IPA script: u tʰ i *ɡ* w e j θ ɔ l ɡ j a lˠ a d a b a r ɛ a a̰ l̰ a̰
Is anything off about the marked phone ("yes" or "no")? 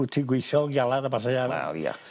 no